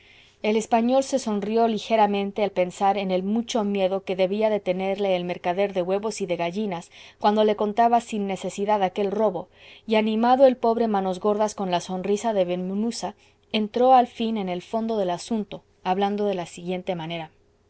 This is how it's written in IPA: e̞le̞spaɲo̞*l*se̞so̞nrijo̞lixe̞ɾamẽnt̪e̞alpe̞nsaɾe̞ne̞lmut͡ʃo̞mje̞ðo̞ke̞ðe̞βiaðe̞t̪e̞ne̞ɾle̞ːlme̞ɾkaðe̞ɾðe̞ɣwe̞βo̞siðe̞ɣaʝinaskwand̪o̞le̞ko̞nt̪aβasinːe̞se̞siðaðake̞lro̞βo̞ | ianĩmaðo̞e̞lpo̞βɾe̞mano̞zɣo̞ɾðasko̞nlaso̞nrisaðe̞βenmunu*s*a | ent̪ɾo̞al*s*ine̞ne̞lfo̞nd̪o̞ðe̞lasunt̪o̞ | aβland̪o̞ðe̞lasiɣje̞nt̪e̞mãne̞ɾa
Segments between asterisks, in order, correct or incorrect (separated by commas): correct, correct, incorrect